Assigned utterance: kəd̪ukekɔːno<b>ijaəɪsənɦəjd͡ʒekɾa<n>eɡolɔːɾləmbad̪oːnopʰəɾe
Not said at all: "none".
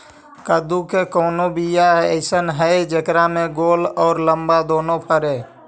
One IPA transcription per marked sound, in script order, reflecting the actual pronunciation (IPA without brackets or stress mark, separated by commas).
b, m